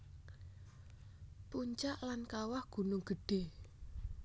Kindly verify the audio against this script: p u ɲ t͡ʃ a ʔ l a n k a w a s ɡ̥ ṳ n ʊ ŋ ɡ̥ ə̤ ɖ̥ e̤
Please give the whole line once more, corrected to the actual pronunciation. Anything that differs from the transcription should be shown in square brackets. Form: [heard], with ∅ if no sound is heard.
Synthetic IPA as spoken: p u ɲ t͡ʃ a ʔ l a n k a w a [h] ɡ̥ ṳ n ʊ ŋ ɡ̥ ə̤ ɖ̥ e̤